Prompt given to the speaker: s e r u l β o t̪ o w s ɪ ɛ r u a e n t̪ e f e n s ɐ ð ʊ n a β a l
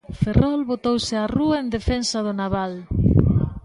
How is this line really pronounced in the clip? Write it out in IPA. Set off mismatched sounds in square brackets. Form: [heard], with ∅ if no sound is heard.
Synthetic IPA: [f] e r [ɔ] l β o t̪ o w s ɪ [a] r u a e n [d̪] e f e n s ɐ ð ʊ n a β a l